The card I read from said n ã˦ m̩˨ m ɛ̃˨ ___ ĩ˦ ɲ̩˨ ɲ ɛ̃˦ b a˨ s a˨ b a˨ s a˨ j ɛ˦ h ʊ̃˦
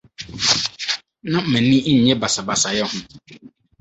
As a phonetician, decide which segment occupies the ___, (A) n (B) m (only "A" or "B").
A